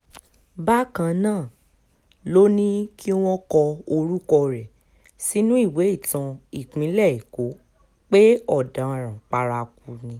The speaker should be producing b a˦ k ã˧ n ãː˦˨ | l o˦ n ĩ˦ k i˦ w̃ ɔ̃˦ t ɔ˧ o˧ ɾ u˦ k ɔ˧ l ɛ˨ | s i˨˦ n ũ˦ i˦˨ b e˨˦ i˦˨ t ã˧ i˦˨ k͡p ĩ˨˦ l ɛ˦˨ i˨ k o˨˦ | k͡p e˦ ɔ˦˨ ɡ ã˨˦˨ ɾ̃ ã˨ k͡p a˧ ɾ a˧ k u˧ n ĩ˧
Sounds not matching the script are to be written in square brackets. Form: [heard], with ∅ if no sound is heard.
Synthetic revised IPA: b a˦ k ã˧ n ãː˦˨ | l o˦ n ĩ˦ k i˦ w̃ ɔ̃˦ [k] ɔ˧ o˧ ɾ u˦ k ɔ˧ [ɾ] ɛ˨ | s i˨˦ n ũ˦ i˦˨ [w] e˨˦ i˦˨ t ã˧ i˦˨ k͡p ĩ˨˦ l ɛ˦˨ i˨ k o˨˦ | k͡p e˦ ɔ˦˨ [d] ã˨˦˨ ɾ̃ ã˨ k͡p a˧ ɾ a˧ k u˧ n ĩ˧

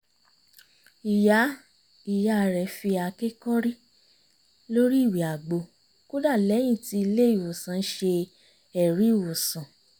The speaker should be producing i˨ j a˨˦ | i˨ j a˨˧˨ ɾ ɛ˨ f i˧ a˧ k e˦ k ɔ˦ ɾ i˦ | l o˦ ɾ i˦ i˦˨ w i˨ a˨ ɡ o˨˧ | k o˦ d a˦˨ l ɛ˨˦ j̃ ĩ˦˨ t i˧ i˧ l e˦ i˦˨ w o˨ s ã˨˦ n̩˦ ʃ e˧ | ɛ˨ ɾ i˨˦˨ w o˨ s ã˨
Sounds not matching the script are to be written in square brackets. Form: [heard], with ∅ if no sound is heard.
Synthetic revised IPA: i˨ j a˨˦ | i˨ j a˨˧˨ ɾ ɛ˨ f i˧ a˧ k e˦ k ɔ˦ ɾ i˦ | l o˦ ɾ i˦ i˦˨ w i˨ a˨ [ɡ͡b] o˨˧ | k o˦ d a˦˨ l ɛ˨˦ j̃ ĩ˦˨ t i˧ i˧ l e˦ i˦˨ w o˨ s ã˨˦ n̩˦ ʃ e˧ | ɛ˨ ɾ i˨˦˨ w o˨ s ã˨

